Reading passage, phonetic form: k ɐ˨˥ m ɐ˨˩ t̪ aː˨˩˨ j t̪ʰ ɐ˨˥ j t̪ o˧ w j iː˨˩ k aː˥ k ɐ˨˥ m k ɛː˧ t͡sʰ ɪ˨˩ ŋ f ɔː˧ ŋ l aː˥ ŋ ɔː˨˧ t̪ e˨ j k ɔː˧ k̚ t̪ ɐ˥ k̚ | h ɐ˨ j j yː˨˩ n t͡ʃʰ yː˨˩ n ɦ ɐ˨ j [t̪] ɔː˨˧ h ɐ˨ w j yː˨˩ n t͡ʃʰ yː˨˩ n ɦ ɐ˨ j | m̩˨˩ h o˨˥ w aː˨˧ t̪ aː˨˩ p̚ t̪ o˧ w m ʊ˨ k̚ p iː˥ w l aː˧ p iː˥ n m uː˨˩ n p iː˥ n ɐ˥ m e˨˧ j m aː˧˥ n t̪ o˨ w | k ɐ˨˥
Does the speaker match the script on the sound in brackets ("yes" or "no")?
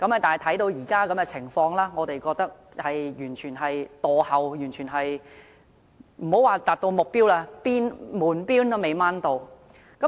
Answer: yes